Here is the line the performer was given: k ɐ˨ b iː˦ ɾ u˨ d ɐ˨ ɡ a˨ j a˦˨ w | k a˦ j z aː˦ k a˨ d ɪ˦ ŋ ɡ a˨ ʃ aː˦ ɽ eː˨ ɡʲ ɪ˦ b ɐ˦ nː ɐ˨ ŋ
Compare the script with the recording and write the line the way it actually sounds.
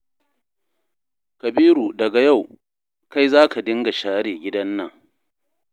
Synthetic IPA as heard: k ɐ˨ b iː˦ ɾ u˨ d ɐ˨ ɡ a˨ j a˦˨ w | k a˦ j z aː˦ k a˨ d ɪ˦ ŋ ɡ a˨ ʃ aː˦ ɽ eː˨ ɡʲ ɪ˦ d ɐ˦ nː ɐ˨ ŋ